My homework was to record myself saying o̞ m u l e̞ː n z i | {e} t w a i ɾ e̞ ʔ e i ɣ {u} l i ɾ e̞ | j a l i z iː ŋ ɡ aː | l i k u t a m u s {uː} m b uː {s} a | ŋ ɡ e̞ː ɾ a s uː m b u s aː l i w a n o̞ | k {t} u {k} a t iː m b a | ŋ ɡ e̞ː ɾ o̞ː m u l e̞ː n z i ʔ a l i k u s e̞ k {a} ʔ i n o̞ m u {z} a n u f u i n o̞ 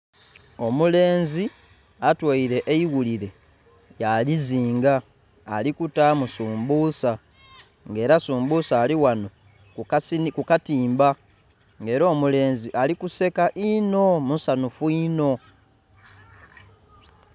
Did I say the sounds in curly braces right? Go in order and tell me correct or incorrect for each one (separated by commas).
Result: incorrect, correct, correct, correct, incorrect, correct, correct, incorrect